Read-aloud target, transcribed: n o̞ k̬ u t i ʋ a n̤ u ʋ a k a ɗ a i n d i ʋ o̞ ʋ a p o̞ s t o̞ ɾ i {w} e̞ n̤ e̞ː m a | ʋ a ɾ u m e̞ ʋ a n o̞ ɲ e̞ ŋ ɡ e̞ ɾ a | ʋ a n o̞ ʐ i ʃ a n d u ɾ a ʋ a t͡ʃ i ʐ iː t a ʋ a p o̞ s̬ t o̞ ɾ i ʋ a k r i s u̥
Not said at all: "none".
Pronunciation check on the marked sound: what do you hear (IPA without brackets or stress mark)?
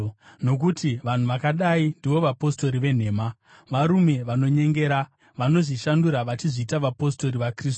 ʋ